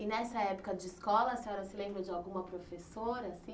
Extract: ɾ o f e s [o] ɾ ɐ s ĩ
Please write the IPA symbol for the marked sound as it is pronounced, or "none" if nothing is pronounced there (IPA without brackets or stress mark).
o